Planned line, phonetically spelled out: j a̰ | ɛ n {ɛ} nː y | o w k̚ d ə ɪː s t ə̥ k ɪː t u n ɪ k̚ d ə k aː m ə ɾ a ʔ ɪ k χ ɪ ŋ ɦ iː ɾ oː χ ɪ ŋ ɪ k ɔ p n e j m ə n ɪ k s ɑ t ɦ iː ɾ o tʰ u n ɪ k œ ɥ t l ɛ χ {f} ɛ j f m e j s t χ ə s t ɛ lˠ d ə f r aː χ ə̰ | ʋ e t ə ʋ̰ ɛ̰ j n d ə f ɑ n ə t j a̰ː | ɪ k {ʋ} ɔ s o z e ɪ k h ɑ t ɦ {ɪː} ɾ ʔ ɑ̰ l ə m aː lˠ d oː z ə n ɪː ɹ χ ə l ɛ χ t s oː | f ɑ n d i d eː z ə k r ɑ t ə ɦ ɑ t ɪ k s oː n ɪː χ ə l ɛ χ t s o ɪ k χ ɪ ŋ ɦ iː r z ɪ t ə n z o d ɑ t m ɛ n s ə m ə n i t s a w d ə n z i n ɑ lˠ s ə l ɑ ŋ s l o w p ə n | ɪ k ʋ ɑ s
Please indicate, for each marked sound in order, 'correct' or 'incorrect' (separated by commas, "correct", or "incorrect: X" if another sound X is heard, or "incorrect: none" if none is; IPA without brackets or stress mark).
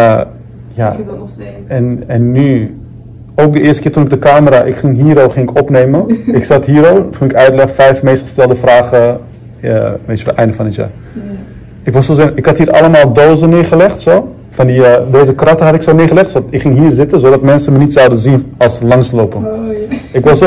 correct, correct, correct, incorrect: iː